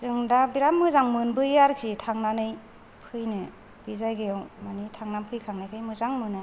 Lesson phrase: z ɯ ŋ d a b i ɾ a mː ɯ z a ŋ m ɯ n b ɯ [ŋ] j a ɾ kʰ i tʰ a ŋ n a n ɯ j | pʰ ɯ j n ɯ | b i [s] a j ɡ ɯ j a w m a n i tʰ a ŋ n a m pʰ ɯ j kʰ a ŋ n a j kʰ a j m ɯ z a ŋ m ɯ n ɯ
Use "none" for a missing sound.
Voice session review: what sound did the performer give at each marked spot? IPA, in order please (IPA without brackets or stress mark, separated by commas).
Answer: none, z